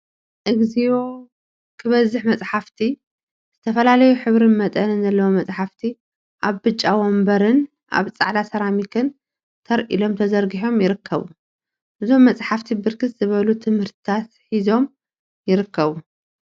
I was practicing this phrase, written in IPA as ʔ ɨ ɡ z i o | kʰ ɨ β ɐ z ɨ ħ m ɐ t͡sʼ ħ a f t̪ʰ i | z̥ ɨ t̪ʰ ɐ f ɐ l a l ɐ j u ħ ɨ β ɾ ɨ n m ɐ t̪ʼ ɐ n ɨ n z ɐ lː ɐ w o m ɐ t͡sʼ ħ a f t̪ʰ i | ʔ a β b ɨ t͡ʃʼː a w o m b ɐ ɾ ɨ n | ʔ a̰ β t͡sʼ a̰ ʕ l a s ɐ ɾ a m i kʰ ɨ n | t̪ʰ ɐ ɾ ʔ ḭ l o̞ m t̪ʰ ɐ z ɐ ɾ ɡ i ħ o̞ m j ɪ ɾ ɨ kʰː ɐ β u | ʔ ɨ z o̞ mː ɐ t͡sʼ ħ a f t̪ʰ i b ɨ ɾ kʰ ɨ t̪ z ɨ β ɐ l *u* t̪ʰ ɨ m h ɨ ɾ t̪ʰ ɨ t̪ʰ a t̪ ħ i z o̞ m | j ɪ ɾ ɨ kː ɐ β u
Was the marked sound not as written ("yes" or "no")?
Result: no